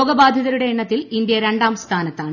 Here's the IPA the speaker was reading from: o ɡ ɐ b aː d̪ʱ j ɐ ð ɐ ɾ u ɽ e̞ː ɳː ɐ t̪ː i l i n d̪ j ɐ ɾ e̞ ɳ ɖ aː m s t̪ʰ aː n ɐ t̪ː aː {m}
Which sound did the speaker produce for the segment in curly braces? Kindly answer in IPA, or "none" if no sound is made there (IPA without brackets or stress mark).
ɳ